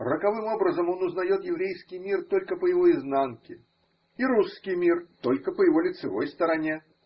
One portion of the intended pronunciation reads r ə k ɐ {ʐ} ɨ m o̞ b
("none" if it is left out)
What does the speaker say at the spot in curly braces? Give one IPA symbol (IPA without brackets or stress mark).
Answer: v